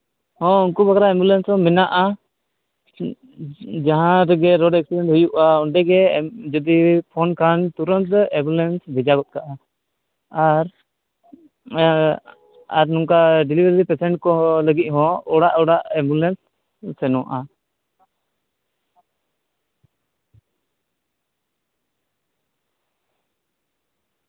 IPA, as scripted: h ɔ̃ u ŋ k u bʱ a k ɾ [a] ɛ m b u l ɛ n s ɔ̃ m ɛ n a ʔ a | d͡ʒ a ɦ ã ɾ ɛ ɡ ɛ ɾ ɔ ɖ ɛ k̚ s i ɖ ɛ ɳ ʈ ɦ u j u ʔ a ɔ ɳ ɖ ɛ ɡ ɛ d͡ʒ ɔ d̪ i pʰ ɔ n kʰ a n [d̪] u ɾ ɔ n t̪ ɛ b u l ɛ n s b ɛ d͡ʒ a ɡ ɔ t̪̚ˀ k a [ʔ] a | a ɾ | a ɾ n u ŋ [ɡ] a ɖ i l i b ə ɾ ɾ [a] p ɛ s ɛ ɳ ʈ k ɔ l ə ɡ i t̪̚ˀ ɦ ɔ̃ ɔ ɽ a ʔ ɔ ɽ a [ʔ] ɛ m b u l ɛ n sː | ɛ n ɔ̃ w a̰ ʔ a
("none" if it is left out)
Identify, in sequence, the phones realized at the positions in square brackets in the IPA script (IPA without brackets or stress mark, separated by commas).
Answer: a, t̪, ʔ, k, i, ʔ